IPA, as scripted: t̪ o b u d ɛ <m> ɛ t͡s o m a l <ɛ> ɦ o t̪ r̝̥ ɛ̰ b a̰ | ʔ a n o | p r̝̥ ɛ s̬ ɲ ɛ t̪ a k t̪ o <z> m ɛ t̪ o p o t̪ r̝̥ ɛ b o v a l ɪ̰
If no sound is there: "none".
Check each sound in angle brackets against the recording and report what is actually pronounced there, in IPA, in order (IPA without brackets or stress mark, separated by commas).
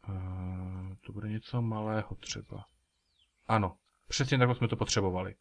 ɲ, ɛː, s